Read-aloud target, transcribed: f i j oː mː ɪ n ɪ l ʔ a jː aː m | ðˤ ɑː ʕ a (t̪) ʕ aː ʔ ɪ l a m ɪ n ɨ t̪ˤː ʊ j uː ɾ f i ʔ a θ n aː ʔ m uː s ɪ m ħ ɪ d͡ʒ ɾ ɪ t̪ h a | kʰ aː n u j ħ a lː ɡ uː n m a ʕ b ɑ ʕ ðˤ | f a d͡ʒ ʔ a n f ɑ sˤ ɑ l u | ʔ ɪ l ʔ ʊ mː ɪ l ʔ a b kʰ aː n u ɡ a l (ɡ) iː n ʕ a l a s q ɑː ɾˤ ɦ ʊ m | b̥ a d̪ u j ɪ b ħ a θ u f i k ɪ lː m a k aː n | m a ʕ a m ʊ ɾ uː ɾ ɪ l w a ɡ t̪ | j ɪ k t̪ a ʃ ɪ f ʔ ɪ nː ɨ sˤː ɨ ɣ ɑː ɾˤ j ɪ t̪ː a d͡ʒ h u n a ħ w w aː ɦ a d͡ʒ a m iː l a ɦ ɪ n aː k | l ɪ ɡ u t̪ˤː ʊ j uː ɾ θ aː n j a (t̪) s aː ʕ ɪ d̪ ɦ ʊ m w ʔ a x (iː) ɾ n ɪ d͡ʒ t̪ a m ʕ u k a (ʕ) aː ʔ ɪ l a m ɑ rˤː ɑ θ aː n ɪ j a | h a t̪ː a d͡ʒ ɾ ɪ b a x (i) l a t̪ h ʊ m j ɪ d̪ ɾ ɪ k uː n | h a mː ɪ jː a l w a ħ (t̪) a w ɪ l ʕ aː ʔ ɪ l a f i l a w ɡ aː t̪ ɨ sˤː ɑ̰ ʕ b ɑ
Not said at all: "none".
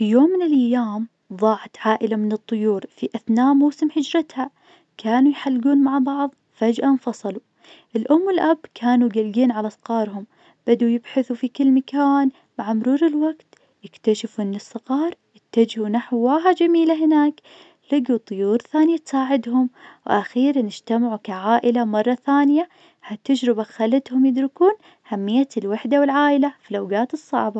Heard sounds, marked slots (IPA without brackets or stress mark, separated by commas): t̪, ɡ, t̪, iː, ʕ, a, d̪